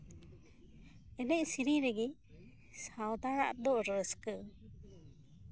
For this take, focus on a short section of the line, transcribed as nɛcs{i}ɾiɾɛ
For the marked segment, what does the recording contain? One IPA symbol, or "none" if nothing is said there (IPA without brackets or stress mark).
i